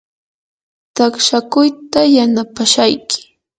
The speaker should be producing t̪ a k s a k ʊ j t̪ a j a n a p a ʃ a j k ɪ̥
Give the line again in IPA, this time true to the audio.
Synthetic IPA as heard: t̪ a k ʃ a k ʊ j t̪ a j a n a p a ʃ a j k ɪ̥